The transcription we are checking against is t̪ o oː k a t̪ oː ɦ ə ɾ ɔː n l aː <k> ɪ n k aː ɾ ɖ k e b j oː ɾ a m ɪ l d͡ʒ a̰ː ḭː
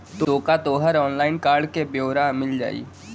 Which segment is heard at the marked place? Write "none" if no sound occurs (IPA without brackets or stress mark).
none